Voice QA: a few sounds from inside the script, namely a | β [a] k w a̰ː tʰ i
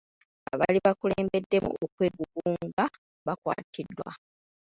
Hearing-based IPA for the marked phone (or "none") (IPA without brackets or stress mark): a